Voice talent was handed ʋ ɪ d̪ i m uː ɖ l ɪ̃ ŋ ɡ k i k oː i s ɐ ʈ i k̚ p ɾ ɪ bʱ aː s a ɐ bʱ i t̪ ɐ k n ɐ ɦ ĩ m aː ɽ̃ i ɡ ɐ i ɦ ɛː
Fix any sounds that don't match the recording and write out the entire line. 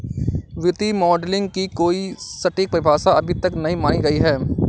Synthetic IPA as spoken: ʋ ɪ t̪ i m ɔː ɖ l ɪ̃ ŋ ɡ k i k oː i s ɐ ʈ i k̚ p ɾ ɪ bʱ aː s a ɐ bʱ i t̪ ɐ k n ɐ ɦ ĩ m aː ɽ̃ i ɡ ɐ i ɦ ɛː

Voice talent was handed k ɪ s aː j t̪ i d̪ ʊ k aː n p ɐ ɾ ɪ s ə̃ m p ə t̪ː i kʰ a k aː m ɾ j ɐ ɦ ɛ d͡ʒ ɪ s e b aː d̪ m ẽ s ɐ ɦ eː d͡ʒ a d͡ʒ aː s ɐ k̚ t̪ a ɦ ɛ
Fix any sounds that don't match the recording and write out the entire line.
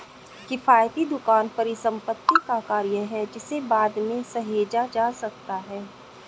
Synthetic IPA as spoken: k ɪ f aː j t̪ i d̪ ʊ k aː n p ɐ ɾ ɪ s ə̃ m p ə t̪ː i k a k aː ɾ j ə ɦ ɛ d͡ʒ ɪ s e b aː d̪ m ẽ s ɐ ɦ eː d͡ʒ a d͡ʒ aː s ɐ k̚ t̪ a ɦ ɛː

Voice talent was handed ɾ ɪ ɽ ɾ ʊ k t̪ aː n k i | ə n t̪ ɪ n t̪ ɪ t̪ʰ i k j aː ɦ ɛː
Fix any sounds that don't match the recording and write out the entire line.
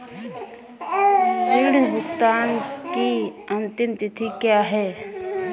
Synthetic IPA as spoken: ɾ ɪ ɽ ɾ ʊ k t̪ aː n k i | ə n t̪ ɪ m t̪ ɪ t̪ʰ i k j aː ɦ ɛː

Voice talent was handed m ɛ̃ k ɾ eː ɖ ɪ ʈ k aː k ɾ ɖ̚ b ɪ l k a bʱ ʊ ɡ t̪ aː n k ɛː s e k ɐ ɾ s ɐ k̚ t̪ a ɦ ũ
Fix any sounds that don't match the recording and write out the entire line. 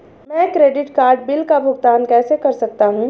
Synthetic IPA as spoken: m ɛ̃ k ɾ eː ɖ ɪ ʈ k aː ɾ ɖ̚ b ɪ l k a bʱ ʊ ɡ t̪ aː n k ɛː s e k ɐ ɾ s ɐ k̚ t̪ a ɦ ũ

